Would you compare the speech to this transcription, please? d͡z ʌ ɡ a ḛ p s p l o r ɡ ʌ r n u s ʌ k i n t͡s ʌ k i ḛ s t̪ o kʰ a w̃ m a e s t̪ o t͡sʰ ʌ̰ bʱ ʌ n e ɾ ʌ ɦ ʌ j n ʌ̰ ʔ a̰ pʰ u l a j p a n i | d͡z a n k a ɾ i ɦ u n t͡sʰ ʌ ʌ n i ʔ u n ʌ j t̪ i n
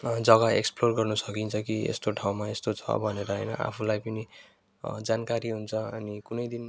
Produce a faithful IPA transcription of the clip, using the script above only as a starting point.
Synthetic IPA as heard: d͡z ʌ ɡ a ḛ k s p l o r ɡ ʌ r n u s ʌ k i n t͡sʰ ʌ k i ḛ s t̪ o ʈʰ a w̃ m a e s t̪ o t͡sʰ ʌ̰ bʱ ʌ n e ɾ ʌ ɦ ʌ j n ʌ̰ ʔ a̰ pʰ u l a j p ʌ n i | d͡z a n k a ɾ i ɦ u n t͡sʰ ʌ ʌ n i k u n ʌ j d̪ i n

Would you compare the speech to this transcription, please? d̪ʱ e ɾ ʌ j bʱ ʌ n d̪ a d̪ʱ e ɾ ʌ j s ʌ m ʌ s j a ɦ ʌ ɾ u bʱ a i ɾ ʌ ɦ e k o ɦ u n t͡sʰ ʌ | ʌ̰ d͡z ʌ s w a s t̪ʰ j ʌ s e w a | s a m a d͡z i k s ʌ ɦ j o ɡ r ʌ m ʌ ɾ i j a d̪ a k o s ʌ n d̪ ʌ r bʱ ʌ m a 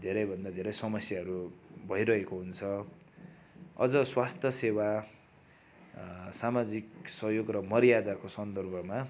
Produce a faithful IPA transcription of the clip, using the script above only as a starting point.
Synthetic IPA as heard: d̪ʱ e ɾ ʌ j bʱ ʌ n d̪ a d̪ʱ e ɾ ʌ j s ʌ m ʌ s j a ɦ ʌ ɾ u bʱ ʌ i ɾ ʌ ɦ e k o ɦ u n t͡sʰ ʌ | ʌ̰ d͡z ʌ s w a s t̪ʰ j ʌ s e w a | s a m a d͡z i k s ʌ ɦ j o ɡ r ʌ m ʌ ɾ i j a d̪ a k o s ʌ n d̪ ʌ r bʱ ʌ m a

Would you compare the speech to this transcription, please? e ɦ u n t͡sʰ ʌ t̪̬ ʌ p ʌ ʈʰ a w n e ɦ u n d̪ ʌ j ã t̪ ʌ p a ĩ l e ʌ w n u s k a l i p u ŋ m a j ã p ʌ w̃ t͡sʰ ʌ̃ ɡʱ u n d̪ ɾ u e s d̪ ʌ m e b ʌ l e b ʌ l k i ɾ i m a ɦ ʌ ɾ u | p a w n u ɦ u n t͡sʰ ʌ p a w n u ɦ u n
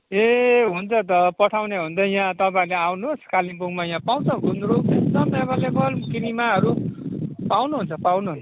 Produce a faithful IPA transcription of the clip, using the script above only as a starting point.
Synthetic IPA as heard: e ɦ u n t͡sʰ ʌ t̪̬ ʌ p ʌ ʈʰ a w n e ɦ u n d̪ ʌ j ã t̪ ʌ p a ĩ l e a w n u s k a l i p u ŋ m a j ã p a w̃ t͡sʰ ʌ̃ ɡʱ u n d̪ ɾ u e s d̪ ʌ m e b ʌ l e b ʌ l k i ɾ i m a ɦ ʌ ɾ u | p a w n u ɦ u n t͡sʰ ʌ p a w n u ɦ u n

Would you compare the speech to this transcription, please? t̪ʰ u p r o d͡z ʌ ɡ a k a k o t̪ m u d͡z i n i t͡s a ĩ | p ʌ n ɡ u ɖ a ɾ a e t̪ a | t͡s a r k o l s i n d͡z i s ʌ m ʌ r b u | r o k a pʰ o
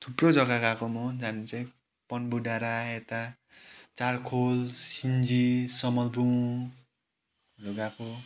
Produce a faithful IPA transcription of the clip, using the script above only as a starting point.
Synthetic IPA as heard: t̪ʰ u p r o d͡z ʌ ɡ a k a k o m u d͡z a n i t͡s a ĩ | p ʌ n b u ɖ a ɾ a e t̪ a | t͡s a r kʰ o l s i n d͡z i s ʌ m ʌ l b u | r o ɡ a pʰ o

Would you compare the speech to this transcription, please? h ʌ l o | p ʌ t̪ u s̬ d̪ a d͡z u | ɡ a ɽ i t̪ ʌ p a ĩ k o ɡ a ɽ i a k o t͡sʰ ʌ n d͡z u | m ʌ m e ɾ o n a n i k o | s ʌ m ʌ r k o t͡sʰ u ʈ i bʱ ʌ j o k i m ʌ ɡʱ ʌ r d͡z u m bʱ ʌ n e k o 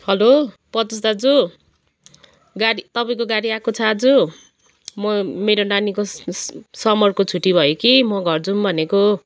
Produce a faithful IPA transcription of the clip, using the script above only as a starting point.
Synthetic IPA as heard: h ʌ l o | p ʌ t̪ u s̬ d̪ a d͡z u | ɡ a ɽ i t̪ ʌ p a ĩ k o ɡ a ɽ i a k o t͡sʰ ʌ d͡z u | m ʌ m e ɾ o n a n i k o | s ʌ m ʌ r k o t͡sʰ u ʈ i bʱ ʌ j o k i m ʌ ɡʱ ʌ r d͡z u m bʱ ʌ n e k o

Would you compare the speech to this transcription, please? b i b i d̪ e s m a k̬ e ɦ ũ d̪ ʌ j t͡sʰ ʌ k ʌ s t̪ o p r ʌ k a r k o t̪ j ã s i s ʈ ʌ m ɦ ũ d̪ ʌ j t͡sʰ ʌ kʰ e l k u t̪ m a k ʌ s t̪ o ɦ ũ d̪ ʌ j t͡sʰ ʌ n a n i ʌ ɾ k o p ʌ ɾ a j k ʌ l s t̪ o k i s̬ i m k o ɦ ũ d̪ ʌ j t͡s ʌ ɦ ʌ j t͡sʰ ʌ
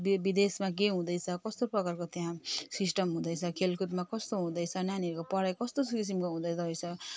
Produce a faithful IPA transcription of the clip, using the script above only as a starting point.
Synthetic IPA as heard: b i b i d̪ e s m a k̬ e ɦ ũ d̪ ʌ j t͡sʰ ʌ k ʌ s t̪ o p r ʌ k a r k o t̪ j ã s i s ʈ ʌ m ɦ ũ d̪ ʌ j t͡sʰ ʌ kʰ e l k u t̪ m a k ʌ s t̪ o ɦ ũ d̪ ʌ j t͡sʰ ʌ n a n i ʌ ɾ k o p ʌ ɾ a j k ʌ s t̪ o k i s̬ i m k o ɦ ũ d̪ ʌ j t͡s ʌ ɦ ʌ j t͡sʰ ʌ

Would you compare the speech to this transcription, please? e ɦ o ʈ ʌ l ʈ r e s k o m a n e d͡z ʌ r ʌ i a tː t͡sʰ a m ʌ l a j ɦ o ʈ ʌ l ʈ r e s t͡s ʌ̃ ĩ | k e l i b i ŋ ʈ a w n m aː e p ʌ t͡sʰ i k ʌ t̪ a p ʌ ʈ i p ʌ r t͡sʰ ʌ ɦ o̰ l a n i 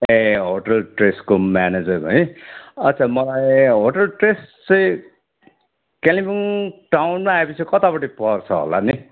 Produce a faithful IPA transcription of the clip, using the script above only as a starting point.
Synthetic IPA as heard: e ɦ o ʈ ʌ l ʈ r e s k o m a n e d͡z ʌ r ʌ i ʌ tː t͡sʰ a m ʌ l a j ɦ o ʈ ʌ l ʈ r e s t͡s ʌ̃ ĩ | k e l i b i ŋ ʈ a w n m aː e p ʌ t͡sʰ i k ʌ t̪ a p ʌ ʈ i p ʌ r t͡sʰ ʌ ɦ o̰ l a n i

